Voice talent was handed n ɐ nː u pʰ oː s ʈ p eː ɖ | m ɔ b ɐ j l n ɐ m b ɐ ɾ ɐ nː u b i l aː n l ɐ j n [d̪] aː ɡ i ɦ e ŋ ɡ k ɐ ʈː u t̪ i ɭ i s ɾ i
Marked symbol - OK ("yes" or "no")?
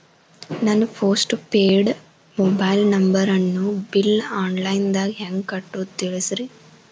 yes